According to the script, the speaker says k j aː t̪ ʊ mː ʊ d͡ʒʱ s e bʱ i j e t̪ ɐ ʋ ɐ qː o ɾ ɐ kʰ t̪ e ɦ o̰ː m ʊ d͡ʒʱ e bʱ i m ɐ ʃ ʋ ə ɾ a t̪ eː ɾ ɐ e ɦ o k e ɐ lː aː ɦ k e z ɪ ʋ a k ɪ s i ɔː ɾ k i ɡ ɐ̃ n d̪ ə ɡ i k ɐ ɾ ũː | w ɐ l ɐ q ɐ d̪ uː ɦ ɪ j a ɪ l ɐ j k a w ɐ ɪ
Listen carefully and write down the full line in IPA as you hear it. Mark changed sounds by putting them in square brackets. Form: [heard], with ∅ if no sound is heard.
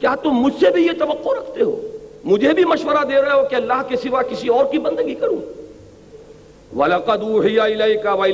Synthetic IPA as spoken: k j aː t̪ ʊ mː ʊ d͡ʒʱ s e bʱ i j e t̪ ɐ ʋ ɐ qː o ɾ ɐ kʰ t̪ e ɦ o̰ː m ʊ d͡ʒʱ e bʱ i m ɐ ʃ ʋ ə ɾ a [d̪] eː ɾ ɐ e ɦ o k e ɐ lː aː ɦ k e [s] ɪ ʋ a k ɪ s i ɔː ɾ k i [b] ɐ̃ n d̪ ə ɡ i k ɐ ɾ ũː | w ɐ l ɐ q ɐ d̪ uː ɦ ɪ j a ɪ l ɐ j k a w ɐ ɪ